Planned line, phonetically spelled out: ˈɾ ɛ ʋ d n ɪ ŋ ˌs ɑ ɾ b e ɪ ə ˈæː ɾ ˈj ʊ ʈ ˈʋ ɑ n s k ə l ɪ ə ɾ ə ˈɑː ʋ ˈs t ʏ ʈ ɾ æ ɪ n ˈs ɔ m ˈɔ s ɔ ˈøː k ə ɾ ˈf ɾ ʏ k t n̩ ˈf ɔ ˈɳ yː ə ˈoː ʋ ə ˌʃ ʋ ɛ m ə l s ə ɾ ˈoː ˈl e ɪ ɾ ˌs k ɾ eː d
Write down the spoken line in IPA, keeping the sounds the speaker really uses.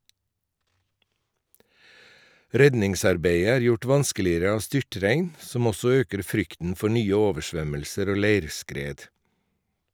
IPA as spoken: ˈɾ ɛ d n ɪ ŋ ˌs ɑ ɾ b e ɪ ə ˈæː ɾ ˈj ʊ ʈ ˈʋ ɑ n s k ə l ɪ ə ɾ ə ˈɑː ʋ ˈs t ʏ ʈ ɾ æ ɪ n ˈs ɔ m ˈɔ s ɔ ˈøː k ə ɾ ˈf ɾ ʏ k t n̩ ˈf ɔ ˈɳ yː ə ˈoː ʋ ə ˌʃ ʋ œ m ə l s ə ɾ ˈoː ˈl e ɪ ɾ ˌs k ɾ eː d